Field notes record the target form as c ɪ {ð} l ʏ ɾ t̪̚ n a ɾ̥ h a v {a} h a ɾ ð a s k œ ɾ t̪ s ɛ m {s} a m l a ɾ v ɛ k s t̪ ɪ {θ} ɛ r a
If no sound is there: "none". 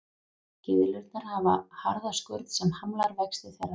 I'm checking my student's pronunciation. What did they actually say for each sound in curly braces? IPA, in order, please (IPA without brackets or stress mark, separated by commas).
ð, a, h, θ